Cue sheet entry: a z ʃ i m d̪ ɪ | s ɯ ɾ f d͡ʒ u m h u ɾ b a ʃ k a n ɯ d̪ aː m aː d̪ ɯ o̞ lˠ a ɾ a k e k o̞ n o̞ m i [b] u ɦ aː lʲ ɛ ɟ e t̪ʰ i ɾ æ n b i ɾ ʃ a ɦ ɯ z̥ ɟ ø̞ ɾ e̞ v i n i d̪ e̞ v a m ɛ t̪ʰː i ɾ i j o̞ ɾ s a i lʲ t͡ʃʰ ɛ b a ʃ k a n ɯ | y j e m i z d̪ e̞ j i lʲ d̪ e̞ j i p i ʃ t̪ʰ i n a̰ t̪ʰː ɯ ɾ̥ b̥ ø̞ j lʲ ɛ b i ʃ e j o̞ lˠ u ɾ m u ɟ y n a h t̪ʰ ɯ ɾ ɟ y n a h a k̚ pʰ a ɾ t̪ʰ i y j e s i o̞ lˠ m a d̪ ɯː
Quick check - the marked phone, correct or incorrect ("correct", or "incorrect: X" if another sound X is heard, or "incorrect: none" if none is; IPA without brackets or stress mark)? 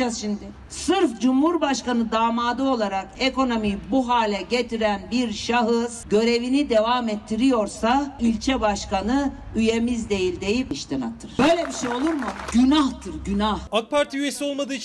correct